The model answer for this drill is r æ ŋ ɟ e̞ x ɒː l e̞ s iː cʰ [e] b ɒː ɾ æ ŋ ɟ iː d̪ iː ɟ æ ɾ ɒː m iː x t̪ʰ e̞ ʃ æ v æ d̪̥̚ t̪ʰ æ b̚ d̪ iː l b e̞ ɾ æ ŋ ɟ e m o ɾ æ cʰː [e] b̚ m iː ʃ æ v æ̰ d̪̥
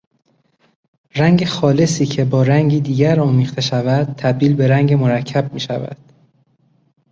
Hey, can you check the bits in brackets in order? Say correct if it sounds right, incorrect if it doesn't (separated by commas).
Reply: correct, incorrect